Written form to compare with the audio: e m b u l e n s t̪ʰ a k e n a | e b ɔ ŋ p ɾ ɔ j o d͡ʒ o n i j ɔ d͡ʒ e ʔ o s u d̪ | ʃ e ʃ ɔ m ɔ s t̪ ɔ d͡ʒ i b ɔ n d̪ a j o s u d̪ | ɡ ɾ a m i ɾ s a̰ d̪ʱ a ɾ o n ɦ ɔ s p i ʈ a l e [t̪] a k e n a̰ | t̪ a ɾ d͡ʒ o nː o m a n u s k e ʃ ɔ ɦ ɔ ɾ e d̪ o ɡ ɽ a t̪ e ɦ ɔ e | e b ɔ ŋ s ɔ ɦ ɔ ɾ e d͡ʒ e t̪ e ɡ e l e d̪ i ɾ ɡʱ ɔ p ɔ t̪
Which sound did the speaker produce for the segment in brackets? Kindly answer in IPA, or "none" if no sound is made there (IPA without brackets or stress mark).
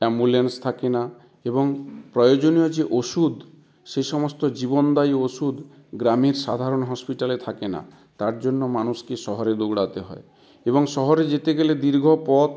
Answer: t̪ʰ